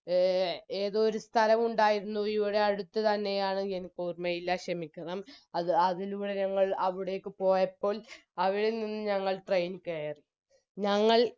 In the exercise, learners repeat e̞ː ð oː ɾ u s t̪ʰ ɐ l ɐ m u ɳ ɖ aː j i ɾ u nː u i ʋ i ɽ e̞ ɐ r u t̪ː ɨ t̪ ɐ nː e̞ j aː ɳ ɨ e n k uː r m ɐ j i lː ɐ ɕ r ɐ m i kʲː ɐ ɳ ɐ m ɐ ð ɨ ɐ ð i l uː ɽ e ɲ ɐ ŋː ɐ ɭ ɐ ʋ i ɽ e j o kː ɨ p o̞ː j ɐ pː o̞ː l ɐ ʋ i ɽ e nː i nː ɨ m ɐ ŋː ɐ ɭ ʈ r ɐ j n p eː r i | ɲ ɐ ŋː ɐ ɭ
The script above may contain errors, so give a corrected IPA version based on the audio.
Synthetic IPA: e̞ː ð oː ɾ u s t̪ʰ ɐ l ɐ m u ɳ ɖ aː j i ɾ u nː u i ʋ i ɽ e̞ ɐ ɽ u t̪ː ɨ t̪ ɐ nː e̞ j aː ɳ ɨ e n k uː r m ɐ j i lː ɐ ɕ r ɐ m i kʲː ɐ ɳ ɐ m ɐ ð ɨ ɐ ð i l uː ɽ e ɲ ɐ ŋː ɐ ɭ ɐ ʋ i ɽ e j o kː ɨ p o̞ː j ɐ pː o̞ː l ɐ ʋ i ɽ e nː i nː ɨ ɲ ɐ ŋː ɐ ɭ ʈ r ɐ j n k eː r i | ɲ ɐ ŋː ɐ ɭ

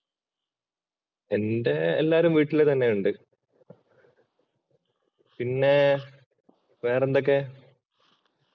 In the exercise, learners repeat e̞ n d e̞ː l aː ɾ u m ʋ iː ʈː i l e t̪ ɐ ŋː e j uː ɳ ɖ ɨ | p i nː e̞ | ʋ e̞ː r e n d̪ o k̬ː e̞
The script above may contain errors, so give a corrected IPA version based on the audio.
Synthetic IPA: e̞ n d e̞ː lː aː ɾ u m ʋ iː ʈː i l e t̪ ɐ nː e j u ɳ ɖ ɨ | p i nː e̞ | ʋ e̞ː r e n d̪ o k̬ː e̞

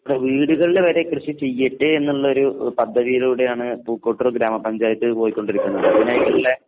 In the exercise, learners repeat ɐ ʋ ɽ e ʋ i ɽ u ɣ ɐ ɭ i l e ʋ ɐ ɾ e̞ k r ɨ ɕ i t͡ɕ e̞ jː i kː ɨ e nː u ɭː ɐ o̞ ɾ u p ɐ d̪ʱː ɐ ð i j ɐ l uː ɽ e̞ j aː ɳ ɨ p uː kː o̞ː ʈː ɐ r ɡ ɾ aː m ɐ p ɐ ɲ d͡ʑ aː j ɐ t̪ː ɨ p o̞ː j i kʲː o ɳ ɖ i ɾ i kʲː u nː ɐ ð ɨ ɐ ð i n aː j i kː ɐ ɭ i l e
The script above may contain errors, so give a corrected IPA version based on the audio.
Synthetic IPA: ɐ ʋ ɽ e ʋ iː ɽ u ɣ ɐ ɭ i l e ʋ ɐ ɾ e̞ k r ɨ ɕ i t͡ɕ e̞ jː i ʈː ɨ e nː u ɭː ɐ o̞ ɾ u p ɐ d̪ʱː ɐ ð i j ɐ l uː ɽ e̞ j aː ɳ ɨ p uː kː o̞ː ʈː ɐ r ɡ ɾ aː m ɐ p ɐ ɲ d͡ʑ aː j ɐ t̪ː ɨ p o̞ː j i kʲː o ɳ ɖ i ɾ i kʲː u nː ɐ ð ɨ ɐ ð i n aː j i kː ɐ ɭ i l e

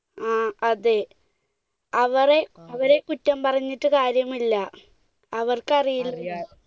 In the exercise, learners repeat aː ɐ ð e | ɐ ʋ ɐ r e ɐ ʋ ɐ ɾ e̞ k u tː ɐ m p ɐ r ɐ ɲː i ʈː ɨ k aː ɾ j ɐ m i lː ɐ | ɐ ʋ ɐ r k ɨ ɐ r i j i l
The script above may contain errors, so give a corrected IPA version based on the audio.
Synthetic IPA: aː ɐ ð e | ɐ ʋ ɐ r e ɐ ʋ ɐ ɾ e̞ k u tː ɐ m p ɐ r ɐ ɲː i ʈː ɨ k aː ɾ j ɐ m i lː ɐ | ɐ ʋ ɐ r k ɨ ɐ r i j i l

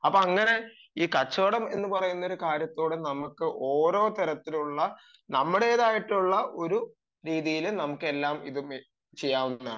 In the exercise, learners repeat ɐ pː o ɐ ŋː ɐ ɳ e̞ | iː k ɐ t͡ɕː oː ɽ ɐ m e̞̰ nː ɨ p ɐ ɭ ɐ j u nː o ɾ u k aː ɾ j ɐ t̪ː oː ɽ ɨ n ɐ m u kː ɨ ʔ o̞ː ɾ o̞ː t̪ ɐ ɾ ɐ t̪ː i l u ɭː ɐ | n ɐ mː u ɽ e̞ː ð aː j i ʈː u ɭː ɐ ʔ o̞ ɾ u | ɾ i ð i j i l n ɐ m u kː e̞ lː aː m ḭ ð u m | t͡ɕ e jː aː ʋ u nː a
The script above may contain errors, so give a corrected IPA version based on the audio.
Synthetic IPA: ɐ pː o ɐ ŋː ɐ n e̞ | iː k ɐ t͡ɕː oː ɽ ɐ m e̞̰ nː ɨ p ɐ r ɐ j u nː o ɾ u k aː ɾ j ɐ t̪ː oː ɽ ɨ n ɐ m u kː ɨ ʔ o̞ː ɾ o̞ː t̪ ɐ ɾ ɐ t̪ː i l u ɭː ɐ | n ɐ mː u ɽ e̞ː ð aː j i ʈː u ɭː ɐ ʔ o̞ ɾ u | ɾ iː ð i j i l n ɐ m u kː e̞ lː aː m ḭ ð u m | t͡ɕ e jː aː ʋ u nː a

